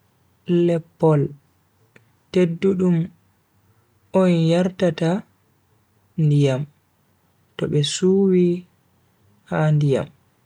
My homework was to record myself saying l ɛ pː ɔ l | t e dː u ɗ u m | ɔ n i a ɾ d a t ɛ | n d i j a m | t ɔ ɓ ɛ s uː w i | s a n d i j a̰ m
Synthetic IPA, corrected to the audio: l ɛ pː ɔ l | t e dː u ɗ u m | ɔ n j a ɾ t a t a | n d i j a m | t ɔ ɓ ɛ s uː w i | h a n d i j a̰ m